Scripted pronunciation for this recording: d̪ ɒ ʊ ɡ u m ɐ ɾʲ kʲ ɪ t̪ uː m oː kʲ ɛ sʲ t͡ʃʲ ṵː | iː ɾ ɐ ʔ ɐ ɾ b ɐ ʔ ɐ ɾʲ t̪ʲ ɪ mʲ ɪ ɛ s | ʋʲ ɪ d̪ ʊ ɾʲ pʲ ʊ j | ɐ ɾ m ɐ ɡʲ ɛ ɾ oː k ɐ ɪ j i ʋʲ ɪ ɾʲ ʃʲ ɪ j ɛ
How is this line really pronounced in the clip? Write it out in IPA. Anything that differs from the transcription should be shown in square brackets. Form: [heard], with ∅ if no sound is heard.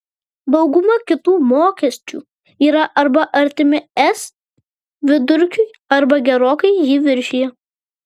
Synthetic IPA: d̪ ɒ ʊ ɡ [ʊ] m ɐ [∅] kʲ ɪ t̪ uː m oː kʲ ɛ sʲ t͡ʃʲ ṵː | iː ɾ ɐ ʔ ɐ ɾ b ɐ ʔ ɐ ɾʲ t̪ʲ ɪ mʲ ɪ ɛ s | ʋʲ ɪ d̪ ʊ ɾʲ [kʲ] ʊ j | ɐ ɾ [b] ɐ ɡʲ ɛ ɾ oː k ɐ ɪ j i ʋʲ ɪ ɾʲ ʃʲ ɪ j ɛ